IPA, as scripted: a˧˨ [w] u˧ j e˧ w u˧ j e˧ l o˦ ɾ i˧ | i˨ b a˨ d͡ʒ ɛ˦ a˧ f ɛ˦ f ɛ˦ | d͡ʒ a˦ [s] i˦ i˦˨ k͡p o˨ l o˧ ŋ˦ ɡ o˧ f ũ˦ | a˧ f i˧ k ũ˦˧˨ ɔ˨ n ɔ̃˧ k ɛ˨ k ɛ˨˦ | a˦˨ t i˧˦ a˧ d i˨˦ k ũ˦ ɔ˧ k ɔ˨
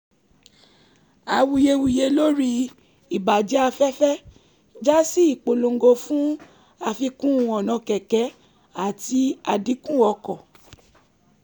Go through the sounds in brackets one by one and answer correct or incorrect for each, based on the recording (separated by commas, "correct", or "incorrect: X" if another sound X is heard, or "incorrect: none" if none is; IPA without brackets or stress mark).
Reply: correct, correct